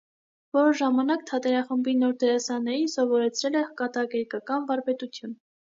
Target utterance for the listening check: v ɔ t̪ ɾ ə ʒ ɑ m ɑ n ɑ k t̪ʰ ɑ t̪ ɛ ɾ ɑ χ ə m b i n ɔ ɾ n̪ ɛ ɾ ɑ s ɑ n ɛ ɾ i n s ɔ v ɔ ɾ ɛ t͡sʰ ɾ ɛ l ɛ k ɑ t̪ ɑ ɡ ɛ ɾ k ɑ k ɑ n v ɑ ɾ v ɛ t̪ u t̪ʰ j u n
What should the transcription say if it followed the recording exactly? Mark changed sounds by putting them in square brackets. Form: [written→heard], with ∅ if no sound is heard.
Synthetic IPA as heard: v ɔ [t̪→∅] ɾ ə ʒ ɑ m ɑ n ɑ k t̪ʰ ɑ t̪ ɛ ɾ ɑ χ ə m b i n ɔ ɾ [n̪→d̪] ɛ ɾ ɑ s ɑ n ɛ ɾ i n s ɔ v ɔ ɾ ɛ t͡sʰ ɾ ɛ l ɛ k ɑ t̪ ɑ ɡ ɛ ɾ k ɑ k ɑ n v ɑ ɾ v ɛ t̪ u t̪ʰ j u n